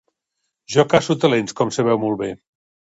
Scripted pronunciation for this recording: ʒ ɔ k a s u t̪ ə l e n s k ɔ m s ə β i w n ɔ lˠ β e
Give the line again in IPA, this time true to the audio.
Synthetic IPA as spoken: ʒ ɔ k a s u t̪ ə l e n s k ɔ m s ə β ɛ w m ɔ lˠ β e